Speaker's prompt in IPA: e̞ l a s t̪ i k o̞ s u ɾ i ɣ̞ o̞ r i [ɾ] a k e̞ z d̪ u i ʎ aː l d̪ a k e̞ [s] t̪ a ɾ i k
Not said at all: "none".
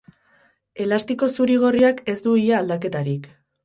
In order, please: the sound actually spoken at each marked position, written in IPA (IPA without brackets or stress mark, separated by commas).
none, none